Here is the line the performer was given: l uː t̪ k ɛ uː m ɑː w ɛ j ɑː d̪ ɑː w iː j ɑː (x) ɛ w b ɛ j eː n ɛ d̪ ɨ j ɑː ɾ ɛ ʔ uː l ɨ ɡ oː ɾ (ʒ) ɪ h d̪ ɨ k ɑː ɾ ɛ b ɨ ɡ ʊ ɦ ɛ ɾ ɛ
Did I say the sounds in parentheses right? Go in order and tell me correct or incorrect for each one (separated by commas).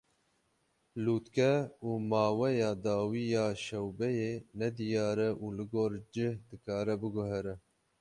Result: incorrect, incorrect